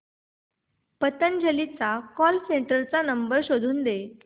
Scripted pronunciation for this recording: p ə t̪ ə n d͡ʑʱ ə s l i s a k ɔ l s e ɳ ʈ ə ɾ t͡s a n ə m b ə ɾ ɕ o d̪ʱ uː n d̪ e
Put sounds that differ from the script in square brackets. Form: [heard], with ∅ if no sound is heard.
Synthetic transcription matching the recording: p ə t̪ ə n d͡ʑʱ ə [∅] l i [t͡s] a k ɔ l s e ɳ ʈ ə ɾ t͡s a n ə m b ə ɾ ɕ o d̪ʱ uː n d̪ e